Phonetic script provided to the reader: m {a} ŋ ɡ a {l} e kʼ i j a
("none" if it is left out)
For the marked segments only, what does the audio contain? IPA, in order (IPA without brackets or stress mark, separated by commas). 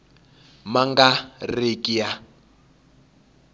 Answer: a, r